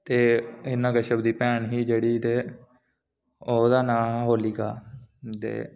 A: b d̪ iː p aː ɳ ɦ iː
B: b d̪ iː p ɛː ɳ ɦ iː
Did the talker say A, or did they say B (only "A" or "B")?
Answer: B